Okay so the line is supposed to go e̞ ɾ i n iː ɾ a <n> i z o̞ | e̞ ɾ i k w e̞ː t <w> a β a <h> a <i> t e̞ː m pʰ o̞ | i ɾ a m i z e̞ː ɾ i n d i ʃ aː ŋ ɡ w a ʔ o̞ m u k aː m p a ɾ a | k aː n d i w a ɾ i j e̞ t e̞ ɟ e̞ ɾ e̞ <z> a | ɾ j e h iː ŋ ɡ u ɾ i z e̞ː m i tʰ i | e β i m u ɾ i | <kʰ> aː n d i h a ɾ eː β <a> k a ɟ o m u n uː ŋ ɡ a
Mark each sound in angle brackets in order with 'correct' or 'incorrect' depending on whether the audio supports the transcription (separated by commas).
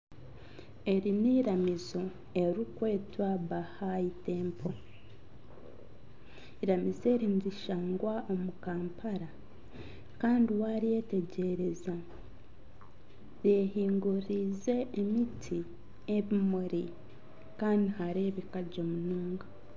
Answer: incorrect, correct, correct, correct, correct, incorrect, incorrect